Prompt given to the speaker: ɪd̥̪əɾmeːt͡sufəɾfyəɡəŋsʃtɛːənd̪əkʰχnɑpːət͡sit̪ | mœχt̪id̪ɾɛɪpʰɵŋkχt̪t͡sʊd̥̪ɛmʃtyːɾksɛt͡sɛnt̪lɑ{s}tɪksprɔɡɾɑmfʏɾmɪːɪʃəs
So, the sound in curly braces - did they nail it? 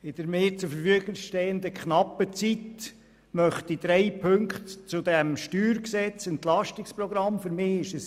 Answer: no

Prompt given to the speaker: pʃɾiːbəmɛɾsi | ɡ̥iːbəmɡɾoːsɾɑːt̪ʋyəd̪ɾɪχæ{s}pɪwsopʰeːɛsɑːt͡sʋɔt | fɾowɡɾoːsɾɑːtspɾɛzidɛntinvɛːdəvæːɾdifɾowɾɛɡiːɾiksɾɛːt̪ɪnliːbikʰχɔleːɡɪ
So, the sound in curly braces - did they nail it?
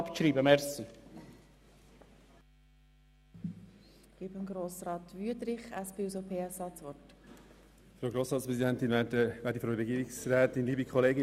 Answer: yes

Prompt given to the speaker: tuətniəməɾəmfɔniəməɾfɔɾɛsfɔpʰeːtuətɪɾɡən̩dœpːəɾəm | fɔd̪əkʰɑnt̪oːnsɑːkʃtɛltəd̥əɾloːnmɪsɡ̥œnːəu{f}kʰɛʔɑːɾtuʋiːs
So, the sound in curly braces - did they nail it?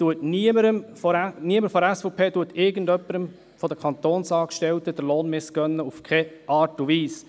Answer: yes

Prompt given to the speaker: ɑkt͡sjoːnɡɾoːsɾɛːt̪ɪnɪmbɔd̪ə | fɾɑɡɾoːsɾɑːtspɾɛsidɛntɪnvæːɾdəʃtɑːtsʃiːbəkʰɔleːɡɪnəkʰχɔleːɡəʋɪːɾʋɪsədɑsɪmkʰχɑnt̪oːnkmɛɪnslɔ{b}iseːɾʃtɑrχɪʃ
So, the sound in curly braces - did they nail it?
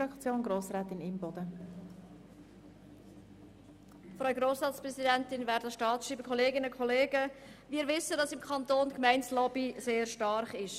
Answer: yes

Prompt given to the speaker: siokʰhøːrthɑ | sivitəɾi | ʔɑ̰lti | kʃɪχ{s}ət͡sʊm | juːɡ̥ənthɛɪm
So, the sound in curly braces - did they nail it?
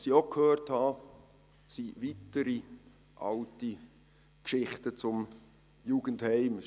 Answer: no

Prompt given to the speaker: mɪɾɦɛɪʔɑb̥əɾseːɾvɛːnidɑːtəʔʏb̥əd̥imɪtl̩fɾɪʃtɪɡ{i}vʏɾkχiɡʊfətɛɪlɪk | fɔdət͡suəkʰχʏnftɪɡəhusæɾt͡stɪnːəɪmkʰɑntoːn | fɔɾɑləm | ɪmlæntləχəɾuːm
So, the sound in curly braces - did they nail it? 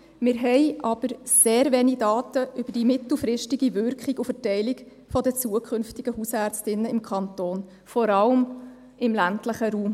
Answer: yes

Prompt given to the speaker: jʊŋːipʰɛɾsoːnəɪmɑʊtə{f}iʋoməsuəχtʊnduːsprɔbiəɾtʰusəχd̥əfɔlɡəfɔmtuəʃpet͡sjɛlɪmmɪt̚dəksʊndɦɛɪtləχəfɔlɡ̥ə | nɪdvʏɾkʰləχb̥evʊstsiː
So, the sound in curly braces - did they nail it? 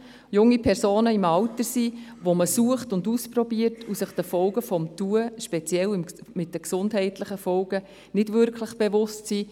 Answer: no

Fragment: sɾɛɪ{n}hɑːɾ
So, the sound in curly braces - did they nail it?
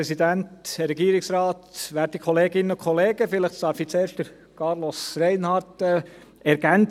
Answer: yes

